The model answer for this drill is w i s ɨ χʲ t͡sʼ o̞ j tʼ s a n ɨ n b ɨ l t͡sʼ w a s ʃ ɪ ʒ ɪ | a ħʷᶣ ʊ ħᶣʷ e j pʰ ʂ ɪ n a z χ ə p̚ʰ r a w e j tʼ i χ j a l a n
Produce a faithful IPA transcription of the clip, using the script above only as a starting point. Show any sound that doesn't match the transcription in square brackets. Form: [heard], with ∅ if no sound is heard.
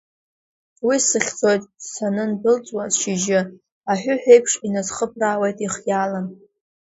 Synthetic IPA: w i s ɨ χʲ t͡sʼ o̞ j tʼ s a n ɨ n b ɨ l t͡sʼ w a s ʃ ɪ ʒ ɪ | a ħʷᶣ ʊ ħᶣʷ e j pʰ ʂ [i] n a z χ ə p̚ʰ r a w e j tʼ i χ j a l a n